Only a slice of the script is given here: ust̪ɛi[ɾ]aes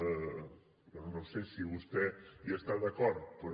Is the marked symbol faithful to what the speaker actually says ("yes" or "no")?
no